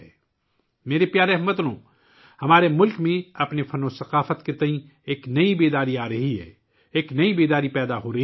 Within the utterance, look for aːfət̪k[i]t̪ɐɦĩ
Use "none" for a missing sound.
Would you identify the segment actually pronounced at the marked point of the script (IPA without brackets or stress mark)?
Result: e